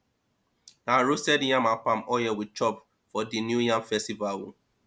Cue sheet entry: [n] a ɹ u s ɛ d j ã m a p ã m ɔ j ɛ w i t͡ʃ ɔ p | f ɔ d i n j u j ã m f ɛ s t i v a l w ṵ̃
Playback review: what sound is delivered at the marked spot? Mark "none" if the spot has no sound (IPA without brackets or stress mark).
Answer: n